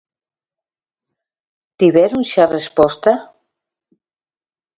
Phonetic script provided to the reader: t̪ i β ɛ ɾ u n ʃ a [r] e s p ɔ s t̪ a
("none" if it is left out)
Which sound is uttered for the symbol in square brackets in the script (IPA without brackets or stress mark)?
r